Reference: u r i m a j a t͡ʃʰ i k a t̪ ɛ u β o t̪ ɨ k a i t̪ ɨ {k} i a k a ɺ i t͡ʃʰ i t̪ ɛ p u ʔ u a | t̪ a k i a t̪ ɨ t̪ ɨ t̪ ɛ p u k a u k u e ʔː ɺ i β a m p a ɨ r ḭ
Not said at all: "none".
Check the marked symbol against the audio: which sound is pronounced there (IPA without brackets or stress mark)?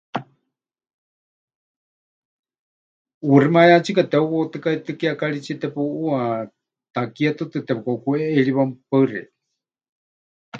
k